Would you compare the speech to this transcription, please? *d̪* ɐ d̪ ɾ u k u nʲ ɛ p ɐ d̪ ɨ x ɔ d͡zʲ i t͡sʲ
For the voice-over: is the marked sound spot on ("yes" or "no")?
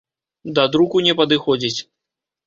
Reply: yes